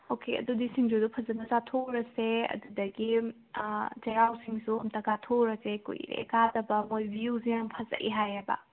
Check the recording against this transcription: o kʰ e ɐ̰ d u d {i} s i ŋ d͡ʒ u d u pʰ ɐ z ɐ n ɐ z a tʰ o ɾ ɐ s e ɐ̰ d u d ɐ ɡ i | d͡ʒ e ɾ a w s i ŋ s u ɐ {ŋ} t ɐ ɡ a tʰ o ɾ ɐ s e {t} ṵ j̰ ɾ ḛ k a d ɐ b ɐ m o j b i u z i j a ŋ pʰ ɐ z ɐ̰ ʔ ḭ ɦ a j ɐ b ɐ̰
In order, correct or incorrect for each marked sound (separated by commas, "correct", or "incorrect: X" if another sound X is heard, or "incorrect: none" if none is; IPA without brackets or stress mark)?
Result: correct, incorrect: m, incorrect: k